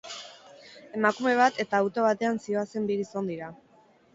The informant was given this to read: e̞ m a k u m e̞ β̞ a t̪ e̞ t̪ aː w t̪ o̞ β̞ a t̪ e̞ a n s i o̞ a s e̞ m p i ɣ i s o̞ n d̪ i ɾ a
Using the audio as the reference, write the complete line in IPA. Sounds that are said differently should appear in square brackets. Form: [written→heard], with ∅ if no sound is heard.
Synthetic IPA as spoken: e̞ m a k u m e̞ β̞ a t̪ e̞ t̪ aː w t̪ o̞ β̞ a t̪ e̞ a n s i o̞ a s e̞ m [p→b] i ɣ i s o̞ n d̪ i ɾ a